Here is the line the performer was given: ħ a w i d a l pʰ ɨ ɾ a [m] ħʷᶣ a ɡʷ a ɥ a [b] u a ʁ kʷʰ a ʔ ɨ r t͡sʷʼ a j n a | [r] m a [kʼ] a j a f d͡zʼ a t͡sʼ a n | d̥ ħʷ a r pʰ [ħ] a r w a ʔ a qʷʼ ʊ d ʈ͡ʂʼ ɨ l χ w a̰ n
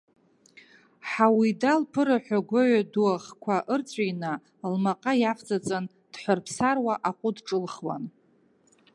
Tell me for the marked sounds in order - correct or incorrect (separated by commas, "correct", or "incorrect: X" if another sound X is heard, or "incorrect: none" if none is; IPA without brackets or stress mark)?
incorrect: none, incorrect: d, incorrect: l, incorrect: qʼ, incorrect: s